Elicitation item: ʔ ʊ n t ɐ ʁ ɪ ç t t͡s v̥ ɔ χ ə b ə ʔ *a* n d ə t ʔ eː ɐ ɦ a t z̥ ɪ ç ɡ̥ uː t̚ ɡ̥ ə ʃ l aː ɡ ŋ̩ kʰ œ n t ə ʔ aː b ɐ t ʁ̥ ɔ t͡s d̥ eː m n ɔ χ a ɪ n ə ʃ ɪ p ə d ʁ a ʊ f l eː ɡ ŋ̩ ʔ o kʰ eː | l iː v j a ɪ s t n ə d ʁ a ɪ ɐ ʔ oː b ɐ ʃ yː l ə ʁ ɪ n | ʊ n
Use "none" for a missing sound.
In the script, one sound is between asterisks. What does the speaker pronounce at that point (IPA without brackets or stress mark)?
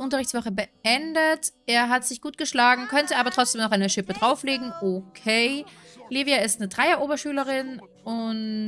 ɛ